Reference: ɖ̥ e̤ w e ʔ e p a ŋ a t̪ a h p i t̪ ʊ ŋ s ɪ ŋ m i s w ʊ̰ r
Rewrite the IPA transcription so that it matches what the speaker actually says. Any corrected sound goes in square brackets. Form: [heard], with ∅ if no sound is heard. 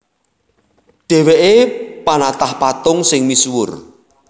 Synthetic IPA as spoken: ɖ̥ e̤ w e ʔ e p a [n] a t̪ a h p [a] t̪ ʊ ŋ s ɪ ŋ m i s w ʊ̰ r